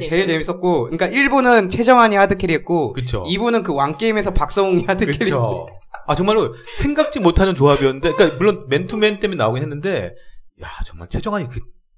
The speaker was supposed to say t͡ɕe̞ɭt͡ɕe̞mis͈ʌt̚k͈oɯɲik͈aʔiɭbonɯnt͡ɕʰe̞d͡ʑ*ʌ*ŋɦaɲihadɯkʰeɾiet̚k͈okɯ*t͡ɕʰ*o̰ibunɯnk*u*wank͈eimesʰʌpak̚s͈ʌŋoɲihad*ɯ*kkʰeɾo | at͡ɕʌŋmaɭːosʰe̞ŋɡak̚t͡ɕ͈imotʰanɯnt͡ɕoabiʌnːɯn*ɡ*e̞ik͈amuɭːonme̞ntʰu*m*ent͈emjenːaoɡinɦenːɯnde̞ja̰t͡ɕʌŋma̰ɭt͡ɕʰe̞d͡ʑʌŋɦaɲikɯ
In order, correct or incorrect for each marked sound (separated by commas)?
correct, correct, incorrect, correct, incorrect, correct